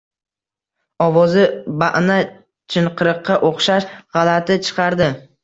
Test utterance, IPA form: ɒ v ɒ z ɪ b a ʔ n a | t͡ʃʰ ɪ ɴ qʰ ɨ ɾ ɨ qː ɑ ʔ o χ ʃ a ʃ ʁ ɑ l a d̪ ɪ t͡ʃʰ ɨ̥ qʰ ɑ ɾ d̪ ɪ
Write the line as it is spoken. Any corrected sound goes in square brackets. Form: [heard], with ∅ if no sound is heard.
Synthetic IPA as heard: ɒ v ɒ z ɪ b a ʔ n a | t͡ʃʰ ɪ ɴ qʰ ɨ ɾ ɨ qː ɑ ʔ o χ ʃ a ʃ ʁ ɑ l a [t̪] ɪ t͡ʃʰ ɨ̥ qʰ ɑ ɾ d̪ ɪ